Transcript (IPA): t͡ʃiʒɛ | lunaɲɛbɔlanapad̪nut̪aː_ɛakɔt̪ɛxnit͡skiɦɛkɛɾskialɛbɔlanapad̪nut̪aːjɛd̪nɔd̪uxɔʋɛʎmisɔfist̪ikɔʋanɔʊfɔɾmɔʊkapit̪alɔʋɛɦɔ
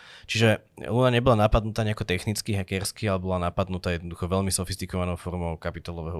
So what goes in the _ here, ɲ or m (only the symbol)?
ɲ